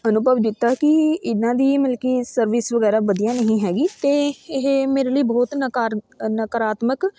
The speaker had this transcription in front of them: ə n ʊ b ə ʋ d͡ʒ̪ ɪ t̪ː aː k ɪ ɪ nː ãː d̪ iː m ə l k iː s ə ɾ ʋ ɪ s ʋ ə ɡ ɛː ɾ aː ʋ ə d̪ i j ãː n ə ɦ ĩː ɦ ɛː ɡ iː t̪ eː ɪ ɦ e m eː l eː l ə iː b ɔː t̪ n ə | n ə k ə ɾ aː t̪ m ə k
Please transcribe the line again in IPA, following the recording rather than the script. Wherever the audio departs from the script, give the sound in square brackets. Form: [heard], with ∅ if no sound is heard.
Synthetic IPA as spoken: ə n ʊ b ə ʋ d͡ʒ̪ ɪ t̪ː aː k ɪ ɪ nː ãː d̪ iː m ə l k iː s ə ɾ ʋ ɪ s ʋ ə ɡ ɛː ɾ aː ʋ ə d̪ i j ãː n ə ɦ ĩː ɦ ɛː ɡ iː t̪ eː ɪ ɦ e m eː [ɾ] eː l ə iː b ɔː t̪ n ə | n ə k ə ɾ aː t̪ m ə k